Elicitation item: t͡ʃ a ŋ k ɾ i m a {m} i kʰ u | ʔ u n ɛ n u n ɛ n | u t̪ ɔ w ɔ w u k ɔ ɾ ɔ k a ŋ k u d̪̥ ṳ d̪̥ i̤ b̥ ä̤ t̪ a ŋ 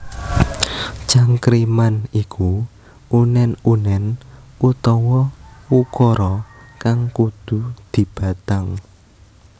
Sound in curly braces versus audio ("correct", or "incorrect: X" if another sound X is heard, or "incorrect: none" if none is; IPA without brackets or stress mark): incorrect: n